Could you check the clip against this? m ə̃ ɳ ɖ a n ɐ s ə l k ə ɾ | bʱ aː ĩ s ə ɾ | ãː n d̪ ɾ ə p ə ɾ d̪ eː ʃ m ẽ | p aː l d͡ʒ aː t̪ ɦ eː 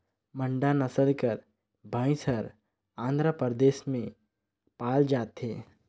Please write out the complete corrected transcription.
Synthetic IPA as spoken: m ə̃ ɳ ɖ a n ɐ s ə l k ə ɾ | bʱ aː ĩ s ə ɾ | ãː n d̪ ɾ ə p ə ɾ d̪ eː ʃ m ẽ | p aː l d͡ʒ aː t̪ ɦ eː